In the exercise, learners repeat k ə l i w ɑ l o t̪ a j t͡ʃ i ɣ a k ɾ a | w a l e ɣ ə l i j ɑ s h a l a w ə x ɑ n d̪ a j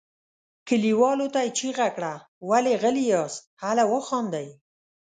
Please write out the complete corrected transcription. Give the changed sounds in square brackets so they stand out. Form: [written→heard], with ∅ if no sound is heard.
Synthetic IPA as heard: k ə l i w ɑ l o t̪ a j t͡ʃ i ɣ a k [ɾ→ɽ] a | w a l e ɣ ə l i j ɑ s h a l a w ə x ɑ n d̪ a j